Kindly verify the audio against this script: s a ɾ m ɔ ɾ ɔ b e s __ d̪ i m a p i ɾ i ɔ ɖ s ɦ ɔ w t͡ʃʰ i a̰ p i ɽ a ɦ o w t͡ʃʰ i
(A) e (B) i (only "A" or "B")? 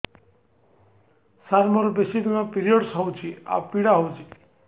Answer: B